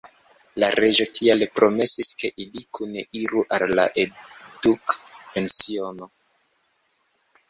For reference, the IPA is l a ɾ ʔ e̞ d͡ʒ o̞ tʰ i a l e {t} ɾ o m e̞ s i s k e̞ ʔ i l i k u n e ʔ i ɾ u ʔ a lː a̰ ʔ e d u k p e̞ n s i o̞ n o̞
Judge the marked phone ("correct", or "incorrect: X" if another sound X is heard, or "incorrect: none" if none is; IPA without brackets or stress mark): incorrect: p